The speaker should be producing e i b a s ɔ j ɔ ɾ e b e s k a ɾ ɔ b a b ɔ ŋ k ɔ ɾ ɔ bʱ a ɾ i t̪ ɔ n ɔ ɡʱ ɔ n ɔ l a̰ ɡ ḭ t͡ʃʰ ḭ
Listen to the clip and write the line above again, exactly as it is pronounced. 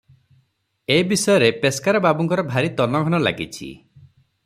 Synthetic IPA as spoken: e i b i s ɔ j ɔ ɾ e p e s k a ɾ ɔ b a b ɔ ŋ k ɔ ɾ ɔ bʱ a ɾ i t̪ ɔ n ɔ ɡʱ ɔ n ɔ l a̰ ɡ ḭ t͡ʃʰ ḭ

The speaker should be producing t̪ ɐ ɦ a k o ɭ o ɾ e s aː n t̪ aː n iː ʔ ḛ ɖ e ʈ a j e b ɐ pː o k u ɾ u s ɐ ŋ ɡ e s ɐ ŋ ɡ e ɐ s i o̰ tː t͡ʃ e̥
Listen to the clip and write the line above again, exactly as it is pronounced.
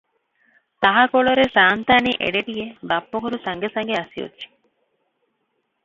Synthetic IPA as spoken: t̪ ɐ ɦ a k o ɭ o ɾ e s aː n t̪ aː n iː ʔ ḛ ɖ e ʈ i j e b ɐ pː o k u ɾ u s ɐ ŋ ɡ e s ɐ ŋ ɡ e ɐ s i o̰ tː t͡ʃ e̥

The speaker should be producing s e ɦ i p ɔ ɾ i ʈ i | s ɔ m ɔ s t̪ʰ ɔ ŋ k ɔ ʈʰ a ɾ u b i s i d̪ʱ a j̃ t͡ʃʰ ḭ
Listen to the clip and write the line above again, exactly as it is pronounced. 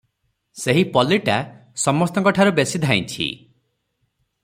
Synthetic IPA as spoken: s e ɦ i p ɔ l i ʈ a | s ɔ m ɔ s t̪ ɔ ŋ k ɔ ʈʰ a ɾ u b e s i d̪ʱ a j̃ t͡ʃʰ ḭ

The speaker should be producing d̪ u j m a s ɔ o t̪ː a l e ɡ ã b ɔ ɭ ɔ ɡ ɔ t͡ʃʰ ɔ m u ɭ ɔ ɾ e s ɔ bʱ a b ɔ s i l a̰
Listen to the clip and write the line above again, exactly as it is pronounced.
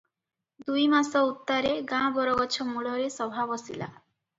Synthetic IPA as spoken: d̪ u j m a s ɔ u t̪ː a ɾ e ɡ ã b ɔ ɾ ɔ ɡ ɔ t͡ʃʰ ɔ m u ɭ ɔ ɾ e s ɔ bʱ a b ɔ s i l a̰

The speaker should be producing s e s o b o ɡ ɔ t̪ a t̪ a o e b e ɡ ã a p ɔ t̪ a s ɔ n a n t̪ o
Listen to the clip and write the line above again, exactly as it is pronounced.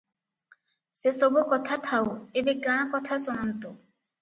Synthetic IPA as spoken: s e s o b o k ɔ t̪ʰ a t̪ʰ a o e b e ɡ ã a k ɔ t̪ʰ a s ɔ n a n t̪ o

